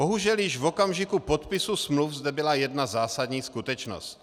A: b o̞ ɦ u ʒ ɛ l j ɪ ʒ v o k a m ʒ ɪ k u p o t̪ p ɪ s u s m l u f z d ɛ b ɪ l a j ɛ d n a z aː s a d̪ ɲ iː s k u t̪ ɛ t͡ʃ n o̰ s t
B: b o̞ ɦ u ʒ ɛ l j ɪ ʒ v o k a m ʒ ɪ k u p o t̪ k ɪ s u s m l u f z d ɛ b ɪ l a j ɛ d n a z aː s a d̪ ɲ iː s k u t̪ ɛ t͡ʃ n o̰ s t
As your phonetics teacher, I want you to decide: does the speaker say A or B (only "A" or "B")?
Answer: A